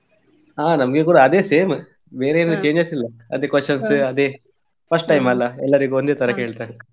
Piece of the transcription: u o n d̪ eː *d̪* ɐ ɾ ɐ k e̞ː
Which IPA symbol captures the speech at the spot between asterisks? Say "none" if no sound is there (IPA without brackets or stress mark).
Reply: t̪